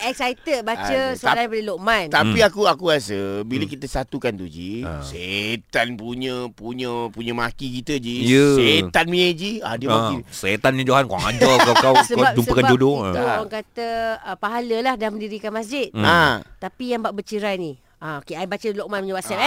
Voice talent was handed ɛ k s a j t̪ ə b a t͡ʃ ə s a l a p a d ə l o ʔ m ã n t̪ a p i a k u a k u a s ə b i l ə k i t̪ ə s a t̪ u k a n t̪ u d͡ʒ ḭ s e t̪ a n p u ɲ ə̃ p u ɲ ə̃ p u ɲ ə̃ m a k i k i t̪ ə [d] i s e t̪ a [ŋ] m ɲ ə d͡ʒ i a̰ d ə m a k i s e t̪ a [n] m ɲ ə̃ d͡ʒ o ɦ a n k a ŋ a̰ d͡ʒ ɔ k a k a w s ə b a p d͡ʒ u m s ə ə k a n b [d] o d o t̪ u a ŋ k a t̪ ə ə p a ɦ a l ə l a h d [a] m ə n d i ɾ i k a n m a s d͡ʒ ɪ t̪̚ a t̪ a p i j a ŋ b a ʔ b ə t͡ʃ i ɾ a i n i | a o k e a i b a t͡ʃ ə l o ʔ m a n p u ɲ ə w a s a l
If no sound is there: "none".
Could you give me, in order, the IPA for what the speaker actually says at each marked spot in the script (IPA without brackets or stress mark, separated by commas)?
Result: d͡ʒ, n, n, d͡ʒ, a